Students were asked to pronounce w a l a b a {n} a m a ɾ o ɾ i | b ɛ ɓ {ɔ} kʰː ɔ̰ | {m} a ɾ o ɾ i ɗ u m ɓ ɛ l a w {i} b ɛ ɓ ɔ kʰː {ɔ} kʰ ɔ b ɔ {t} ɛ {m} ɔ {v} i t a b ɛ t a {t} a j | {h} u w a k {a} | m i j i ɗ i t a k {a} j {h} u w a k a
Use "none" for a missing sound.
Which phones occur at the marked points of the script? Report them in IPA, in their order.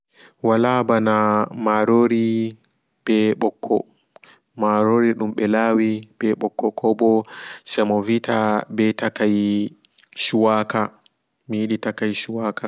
n, ɔ, m, i, ɔ, s, m, v, k, ʃ, a, a, ʃ

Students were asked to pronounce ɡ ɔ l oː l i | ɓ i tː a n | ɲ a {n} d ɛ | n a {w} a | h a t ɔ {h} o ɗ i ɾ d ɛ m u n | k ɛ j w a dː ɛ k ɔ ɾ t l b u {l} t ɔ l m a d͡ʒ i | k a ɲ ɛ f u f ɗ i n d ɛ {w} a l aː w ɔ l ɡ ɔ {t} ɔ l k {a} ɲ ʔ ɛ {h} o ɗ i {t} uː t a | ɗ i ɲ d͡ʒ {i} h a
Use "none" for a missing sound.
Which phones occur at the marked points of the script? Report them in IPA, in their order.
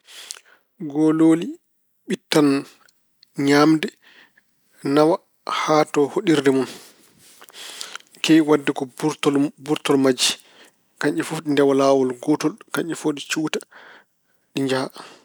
m, w, h, ɾ, w, t, a, f, t͡ʃ, a

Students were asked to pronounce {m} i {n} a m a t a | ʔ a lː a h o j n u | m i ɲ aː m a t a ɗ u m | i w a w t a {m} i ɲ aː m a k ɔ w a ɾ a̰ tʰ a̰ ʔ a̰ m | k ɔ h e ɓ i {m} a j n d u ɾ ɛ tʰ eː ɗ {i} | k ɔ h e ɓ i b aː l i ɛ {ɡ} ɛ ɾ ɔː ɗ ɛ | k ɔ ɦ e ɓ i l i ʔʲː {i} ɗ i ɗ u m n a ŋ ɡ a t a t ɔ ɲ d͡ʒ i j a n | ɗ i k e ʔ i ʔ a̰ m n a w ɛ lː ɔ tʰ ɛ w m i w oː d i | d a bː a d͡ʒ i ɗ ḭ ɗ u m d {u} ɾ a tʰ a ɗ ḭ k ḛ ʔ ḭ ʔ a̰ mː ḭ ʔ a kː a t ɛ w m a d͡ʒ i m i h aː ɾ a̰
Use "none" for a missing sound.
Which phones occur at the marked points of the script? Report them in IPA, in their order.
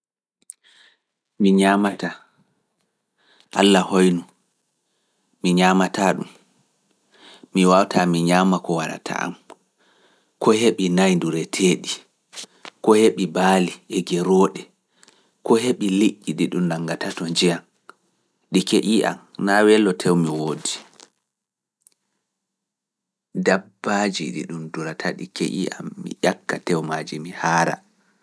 m, ɲ, m, n, i, ɡ, i, u

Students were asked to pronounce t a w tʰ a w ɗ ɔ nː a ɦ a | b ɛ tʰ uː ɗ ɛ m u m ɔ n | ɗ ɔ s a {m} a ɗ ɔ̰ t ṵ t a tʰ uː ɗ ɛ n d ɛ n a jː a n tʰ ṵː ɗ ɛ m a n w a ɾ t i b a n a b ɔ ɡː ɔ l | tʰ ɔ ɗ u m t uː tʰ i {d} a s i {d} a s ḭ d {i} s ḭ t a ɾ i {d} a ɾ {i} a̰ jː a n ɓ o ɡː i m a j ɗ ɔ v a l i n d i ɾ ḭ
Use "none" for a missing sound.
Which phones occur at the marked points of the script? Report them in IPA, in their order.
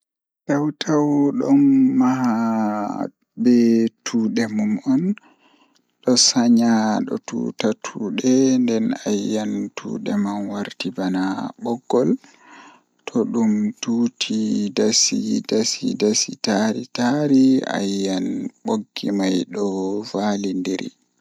ɲ, d, d, a, t, i

